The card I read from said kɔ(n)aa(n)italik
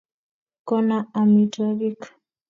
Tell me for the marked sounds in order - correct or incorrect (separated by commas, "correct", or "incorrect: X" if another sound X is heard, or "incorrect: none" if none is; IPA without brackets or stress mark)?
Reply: correct, incorrect: m